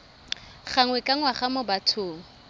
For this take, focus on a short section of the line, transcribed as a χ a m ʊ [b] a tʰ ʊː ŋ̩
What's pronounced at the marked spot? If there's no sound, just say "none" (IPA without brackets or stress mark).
b